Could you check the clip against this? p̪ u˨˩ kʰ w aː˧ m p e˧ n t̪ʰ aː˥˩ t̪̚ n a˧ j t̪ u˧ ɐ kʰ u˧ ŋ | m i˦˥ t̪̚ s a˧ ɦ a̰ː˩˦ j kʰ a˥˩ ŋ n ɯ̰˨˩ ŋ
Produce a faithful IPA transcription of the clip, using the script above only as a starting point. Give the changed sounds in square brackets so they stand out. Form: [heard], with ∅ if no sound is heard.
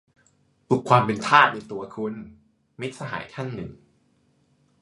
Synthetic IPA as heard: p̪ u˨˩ kʰ w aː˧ m p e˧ n t̪ʰ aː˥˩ t̪̚ n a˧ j t̪ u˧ ɐ kʰ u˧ [n] | m i˦˥ t̪̚ s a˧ ɦ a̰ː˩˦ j kʰ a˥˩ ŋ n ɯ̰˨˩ ŋ